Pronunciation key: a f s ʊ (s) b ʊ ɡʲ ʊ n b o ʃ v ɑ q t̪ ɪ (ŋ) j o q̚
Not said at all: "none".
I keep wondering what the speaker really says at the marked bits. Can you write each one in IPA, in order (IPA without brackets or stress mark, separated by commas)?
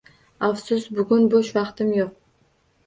s, m